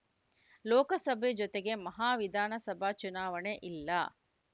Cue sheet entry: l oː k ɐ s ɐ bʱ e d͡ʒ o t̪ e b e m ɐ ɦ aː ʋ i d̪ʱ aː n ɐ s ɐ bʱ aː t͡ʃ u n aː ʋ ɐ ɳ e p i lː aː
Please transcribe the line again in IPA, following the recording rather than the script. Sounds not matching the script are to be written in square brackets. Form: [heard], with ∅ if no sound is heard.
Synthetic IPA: l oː k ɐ s ɐ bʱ e d͡ʒ o t̪ e [ɡ] e m ɐ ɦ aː ʋ i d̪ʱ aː n ɐ s ɐ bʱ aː t͡ʃ u n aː ʋ ɐ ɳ e [ʔ] i lː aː